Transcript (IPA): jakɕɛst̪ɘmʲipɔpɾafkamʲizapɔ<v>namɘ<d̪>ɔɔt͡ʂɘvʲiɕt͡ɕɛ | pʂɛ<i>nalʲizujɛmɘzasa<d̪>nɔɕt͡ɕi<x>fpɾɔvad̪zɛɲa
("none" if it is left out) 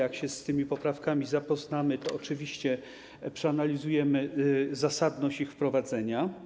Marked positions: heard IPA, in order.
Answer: z, t̪, a, d̪, x

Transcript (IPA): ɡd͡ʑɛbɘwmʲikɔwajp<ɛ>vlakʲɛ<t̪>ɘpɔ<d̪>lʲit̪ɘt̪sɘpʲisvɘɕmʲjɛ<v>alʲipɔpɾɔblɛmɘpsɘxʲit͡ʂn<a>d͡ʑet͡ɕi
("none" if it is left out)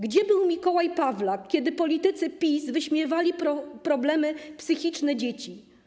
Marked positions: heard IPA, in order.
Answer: a, d̪, none, v, ɛ

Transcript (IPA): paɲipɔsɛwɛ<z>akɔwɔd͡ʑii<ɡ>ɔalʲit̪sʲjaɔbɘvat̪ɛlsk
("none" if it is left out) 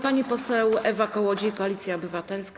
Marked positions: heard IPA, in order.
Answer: v, k

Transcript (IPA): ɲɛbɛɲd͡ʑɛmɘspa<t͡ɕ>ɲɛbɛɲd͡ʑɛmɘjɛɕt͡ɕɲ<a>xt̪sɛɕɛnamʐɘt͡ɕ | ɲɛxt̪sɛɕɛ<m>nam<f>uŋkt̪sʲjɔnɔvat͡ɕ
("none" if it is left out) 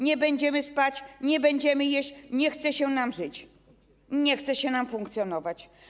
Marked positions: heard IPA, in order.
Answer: t͡ɕ, ɛ, none, f

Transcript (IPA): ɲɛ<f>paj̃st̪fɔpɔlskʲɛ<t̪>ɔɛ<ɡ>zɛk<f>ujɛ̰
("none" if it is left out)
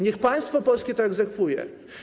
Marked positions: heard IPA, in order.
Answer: x, t̪, ɡ, f

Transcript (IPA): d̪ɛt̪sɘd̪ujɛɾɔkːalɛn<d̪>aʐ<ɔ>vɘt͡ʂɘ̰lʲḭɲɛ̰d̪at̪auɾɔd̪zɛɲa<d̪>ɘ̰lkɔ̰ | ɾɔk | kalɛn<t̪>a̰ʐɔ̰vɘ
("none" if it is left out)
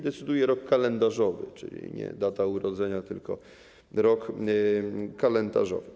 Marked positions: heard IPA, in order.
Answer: d̪, ɔ, t̪, d̪

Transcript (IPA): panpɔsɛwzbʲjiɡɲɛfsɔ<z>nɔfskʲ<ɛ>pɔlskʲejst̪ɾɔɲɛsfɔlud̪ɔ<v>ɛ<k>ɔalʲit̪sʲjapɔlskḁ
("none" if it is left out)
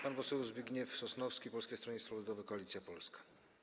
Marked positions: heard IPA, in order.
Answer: s, i, v, k

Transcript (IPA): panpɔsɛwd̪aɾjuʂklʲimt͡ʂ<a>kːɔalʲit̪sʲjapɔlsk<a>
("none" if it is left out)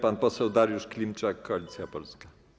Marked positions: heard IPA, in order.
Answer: a, a

